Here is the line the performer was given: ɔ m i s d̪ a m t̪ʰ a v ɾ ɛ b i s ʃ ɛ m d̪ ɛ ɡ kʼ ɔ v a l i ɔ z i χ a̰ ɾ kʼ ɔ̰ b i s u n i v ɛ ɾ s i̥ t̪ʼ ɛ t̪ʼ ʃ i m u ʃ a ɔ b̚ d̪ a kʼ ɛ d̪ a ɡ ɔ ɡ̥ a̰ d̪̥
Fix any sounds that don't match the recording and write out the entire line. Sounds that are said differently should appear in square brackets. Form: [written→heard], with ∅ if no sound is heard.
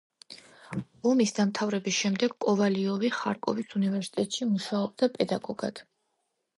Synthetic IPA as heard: ɔ m i s d̪ a m t̪ʰ a v ɾ ɛ b i s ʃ ɛ m d̪ ɛ ɡ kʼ ɔ v a l i ɔ [z→v] i χ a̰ ɾ kʼ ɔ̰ [b→v] i s u n i v ɛ ɾ s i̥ t̪ʼ ɛ t̪ʼ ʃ i m u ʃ a ɔ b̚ d̪ a [kʼ→pʼ] ɛ d̪ a ɡ ɔ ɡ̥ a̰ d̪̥